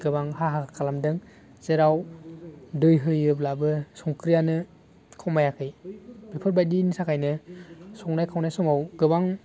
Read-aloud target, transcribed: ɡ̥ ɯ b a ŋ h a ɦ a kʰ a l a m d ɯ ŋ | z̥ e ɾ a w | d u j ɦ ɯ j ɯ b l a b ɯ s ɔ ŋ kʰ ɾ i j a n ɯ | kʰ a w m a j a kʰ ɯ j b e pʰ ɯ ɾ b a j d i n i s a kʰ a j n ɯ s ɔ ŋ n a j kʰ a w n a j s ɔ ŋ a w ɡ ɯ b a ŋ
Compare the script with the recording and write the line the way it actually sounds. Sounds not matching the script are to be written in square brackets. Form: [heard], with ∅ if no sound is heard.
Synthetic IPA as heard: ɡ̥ ɯ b a ŋ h a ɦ a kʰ a l a m d ɯ ŋ | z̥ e ɾ a w | d [ɯ] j ɦ ɯ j ɯ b l a b ɯ s ɔ ŋ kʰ ɾ i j a n ɯ | kʰ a w m a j a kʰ ɯ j b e pʰ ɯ ɾ b a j d i n i s a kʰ a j n ɯ s ɔ ŋ n a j kʰ a w n a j s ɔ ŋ a w ɡ ɯ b a ŋ